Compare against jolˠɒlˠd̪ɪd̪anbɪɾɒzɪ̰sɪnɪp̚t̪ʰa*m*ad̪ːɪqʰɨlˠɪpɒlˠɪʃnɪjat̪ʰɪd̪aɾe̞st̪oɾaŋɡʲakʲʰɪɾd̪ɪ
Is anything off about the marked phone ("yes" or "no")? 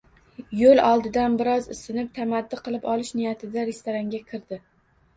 no